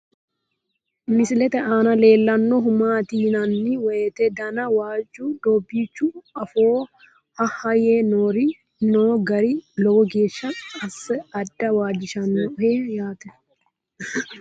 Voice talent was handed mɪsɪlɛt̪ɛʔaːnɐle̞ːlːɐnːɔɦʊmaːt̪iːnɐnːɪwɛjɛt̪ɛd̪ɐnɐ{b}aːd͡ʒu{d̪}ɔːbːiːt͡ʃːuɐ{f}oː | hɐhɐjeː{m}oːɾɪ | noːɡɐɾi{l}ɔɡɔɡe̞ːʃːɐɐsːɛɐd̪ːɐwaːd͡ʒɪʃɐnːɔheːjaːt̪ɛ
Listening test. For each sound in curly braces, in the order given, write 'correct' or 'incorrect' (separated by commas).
incorrect, correct, correct, incorrect, correct